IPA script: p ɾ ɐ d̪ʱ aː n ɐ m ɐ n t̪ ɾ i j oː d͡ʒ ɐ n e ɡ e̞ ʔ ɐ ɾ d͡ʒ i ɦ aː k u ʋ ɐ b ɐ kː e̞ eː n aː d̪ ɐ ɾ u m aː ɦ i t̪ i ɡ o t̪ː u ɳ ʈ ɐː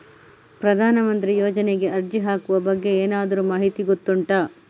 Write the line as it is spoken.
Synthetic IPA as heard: p ɾ ɐ d̪ʱ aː n ɐ m ɐ n t̪ ɾ i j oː d͡ʒ ɐ n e ɡ e̞ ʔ ɐ ɾ d͡ʒ i ɦ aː k u ʋ ɐ b ɐ ɡː e̞ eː n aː d̪ ɐ ɾ u m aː ɦ i t̪ i ɡ o t̪ː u ɳ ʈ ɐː

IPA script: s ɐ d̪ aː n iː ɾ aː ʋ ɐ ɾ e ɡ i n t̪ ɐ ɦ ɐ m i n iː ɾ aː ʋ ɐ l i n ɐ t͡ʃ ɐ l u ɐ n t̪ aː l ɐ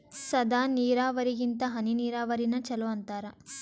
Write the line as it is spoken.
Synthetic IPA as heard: s ɐ d̪ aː n iː ɾ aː ʋ ɐ ɾ i ɡ i n t̪ ɐ ɦ ɐ n i n iː ɾ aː ʋ ɐ ɾ i n ɐ t͡ʃ ɐ l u ɐ n t̪ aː ɾ ɐ

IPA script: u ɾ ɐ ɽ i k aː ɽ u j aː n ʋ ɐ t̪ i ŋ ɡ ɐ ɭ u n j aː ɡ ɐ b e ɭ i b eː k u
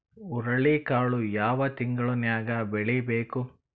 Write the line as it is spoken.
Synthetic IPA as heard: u ɾ ɐ ɭ i k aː ɭ u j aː ʋ ɐ t̪ i ŋ ɡ ɐ ɭ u n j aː ɡ ɐ b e ɭ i b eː k u

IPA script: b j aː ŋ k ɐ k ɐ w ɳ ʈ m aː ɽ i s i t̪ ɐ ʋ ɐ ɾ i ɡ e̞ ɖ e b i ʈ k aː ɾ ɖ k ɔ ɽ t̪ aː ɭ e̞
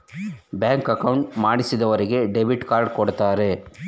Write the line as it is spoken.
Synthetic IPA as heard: b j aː ŋ k ɐ k ɐ w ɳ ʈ m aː ɽ i s i d̪ ɐ ʋ ɐ ɾ i ɡ e̞ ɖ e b i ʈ k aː ɾ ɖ k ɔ ɽ t̪ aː ɾ e̞

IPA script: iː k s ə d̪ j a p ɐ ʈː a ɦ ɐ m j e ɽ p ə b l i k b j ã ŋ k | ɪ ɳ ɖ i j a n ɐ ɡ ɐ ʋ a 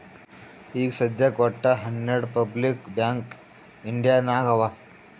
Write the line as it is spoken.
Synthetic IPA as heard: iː k s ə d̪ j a k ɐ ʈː a ɦ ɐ n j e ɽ p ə b l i k b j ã ŋ k | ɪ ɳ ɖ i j a n a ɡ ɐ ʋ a

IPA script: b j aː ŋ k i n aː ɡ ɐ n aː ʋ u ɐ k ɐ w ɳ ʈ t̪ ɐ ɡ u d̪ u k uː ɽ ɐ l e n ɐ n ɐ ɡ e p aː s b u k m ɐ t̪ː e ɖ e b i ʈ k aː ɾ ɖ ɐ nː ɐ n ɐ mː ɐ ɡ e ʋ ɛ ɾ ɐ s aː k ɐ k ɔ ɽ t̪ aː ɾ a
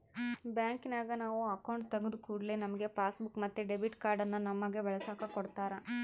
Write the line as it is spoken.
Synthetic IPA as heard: b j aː ŋ k i n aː ɡ ɐ n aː ʋ u ɐ k ɐ w ɳ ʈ t̪ ɐ ɡ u d̪ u k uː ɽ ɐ l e n ɐ m ɐ ɡ e p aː s b u k m ɐ t̪ː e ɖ e b i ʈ k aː ɾ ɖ ɐ nː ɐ n ɐ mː ɐ ɡ e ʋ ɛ ɭ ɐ s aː k ɐ k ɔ ɽ t̪ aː ɾ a

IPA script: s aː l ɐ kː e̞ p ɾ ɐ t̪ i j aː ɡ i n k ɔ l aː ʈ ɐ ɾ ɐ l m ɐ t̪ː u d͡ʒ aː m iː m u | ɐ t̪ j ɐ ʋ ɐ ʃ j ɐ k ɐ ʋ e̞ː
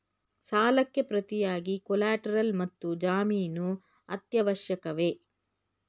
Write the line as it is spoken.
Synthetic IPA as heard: s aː l ɐ kː e̞ p ɾ ɐ t̪ i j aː ɡ i k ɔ l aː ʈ ɐ ɾ ɐ l m ɐ t̪ː u d͡ʒ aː m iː n u | ɐ t̪ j ɐ ʋ ɐ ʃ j ɐ k ɐ ʋ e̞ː

